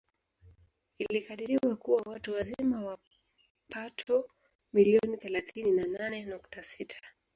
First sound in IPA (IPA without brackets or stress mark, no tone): i